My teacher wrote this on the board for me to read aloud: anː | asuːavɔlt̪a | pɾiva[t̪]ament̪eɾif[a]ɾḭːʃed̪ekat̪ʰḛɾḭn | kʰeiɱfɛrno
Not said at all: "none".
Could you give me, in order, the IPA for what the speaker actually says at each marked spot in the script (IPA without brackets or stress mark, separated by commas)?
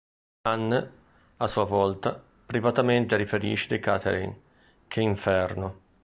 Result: t̪, e